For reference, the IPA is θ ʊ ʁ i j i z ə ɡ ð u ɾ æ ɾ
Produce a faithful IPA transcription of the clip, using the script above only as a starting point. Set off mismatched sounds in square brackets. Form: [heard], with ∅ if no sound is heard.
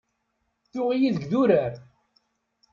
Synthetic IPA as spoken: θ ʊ ʁ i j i [ð] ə ɡ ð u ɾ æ ɾ